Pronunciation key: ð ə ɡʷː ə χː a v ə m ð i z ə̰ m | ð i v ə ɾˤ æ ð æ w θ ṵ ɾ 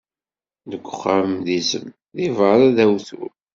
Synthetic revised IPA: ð ə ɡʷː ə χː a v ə m ð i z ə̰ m | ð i v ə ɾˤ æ ð æ w θ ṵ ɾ